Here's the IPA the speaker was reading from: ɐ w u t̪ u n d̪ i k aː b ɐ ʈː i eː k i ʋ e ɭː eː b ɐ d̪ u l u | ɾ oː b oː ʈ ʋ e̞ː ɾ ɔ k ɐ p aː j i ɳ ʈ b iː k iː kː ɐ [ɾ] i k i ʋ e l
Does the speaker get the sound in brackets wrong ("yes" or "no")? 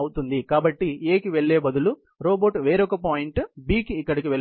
yes